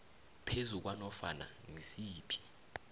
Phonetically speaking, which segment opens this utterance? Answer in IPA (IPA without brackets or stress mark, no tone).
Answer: pʰ